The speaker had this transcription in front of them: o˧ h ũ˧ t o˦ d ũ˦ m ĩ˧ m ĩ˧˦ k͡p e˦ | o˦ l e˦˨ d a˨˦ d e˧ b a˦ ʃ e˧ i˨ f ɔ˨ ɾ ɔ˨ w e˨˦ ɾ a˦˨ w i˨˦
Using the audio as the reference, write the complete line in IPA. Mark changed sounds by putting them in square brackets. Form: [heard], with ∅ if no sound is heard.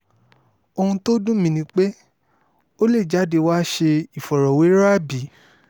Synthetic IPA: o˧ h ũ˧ t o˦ d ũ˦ m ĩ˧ [n] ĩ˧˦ k͡p e˦ | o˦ l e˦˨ [d͡ʒ] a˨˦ d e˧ [w] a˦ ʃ e˧ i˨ f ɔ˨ ɾ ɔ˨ w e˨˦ ɾ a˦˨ [b] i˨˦